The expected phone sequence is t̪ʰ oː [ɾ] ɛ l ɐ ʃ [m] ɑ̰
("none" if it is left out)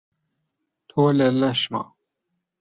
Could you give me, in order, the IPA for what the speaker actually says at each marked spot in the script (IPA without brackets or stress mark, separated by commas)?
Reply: l, m